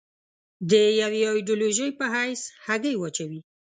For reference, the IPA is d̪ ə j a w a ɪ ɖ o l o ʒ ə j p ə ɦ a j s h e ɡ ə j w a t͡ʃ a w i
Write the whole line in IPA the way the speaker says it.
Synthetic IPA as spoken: d̪ ə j a w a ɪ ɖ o l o ʒ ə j p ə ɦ a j s h a ɡ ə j w a t͡ʃ a w i